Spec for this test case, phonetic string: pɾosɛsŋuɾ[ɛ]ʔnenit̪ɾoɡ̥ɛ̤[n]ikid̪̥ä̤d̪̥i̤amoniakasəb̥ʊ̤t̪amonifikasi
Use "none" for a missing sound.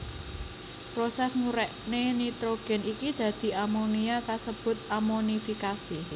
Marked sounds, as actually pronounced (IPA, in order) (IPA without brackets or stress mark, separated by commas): ɛ, n